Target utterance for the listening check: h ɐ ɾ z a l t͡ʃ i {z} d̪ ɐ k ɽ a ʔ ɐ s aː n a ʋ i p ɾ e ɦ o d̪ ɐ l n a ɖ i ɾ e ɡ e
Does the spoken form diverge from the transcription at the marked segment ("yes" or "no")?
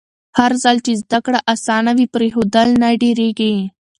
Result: no